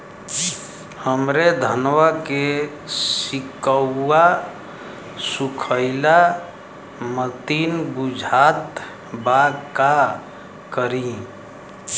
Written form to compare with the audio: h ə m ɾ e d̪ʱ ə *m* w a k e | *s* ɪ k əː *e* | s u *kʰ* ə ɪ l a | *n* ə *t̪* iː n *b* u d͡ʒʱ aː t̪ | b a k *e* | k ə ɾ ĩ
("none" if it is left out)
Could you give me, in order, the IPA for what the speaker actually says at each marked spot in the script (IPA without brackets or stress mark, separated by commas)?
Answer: n, s, a, kʰ, m, t̪, b, a